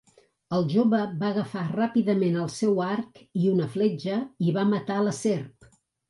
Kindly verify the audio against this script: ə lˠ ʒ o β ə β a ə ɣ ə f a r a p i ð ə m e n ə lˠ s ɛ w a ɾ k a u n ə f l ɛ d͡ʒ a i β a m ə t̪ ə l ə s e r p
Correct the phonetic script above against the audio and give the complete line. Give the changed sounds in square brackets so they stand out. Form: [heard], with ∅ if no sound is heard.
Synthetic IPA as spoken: ə lˠ ʒ o β ə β a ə ɣ ə f a r a p i ð ə m e n ə lˠ s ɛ w a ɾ k [i] u n ə f l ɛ d͡ʒ [ə] i β a m ə t̪ [a] l ə s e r p